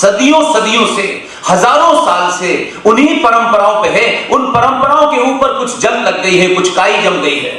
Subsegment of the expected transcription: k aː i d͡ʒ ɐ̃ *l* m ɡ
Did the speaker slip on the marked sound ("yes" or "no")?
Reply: yes